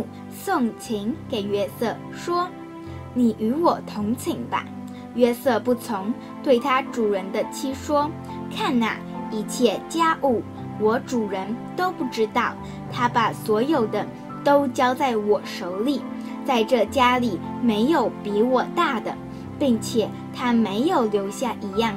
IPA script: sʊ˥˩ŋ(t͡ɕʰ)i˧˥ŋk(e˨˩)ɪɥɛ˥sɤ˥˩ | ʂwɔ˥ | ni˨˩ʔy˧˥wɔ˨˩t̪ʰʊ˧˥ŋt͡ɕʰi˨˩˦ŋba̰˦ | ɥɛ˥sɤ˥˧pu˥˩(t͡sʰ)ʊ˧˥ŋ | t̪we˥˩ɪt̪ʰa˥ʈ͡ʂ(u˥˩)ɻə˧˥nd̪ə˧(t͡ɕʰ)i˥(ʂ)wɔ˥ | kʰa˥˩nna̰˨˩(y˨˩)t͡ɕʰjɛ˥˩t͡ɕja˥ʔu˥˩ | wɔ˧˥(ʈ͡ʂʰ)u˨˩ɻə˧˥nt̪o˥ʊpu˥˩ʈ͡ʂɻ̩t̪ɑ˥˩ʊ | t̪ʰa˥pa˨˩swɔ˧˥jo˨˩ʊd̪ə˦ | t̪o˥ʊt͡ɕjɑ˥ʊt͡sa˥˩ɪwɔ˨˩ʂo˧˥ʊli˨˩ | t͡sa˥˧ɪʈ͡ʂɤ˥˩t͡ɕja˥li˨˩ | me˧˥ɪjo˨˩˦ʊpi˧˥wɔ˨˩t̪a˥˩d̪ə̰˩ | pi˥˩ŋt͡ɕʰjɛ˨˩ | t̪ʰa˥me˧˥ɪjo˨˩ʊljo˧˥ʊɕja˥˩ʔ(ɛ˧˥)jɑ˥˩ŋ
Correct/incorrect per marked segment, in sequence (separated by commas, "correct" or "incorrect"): correct, correct, correct, incorrect, correct, correct, incorrect, incorrect, incorrect